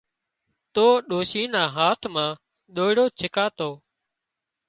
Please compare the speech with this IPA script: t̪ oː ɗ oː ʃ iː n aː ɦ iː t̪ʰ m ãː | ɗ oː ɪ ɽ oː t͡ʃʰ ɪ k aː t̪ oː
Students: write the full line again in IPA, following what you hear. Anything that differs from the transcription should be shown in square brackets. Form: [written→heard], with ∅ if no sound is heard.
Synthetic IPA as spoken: t̪ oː ɗ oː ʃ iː n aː ɦ [iː→aː] t̪ʰ m ãː | ɗ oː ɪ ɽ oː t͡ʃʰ ɪ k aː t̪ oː